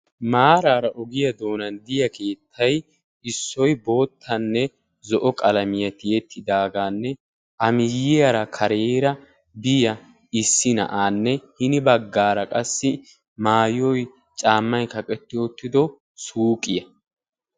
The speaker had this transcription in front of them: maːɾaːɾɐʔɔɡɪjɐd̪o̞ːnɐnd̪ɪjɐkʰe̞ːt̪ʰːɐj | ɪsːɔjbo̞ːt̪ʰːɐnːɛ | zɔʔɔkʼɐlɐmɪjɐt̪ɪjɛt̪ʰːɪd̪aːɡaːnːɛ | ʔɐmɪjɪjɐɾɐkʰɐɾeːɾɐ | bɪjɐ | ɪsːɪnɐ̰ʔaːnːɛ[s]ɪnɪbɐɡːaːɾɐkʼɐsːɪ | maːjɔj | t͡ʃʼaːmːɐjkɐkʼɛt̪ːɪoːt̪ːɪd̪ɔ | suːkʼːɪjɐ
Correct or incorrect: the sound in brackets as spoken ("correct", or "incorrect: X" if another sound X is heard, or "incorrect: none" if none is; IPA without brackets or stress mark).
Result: incorrect: h